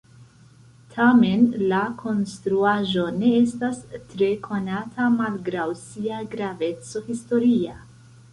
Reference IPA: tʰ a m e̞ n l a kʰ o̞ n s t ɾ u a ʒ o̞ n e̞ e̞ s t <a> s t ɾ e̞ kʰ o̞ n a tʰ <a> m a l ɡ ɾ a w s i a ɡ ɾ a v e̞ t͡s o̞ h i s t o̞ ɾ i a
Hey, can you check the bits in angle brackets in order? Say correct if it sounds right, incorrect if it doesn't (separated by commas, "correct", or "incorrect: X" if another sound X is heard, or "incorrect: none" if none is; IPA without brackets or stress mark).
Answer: correct, correct